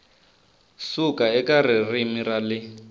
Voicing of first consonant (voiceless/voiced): voiceless